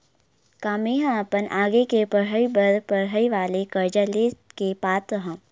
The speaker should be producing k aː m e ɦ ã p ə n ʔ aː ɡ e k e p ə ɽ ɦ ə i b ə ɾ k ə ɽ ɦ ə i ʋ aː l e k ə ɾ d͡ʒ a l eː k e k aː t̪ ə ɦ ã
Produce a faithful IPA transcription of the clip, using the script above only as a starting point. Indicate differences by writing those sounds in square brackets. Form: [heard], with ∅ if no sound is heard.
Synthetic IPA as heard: k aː m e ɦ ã p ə n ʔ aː ɡ e k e p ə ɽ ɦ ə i b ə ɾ [p] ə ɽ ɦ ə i ʋ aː l e k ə ɾ d͡ʒ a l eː k e [p] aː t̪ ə ɦ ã